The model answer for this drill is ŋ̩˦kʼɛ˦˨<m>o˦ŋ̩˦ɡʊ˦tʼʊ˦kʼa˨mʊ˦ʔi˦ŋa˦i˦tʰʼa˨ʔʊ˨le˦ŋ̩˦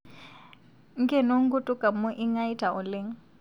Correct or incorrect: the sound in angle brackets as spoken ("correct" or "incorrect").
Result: incorrect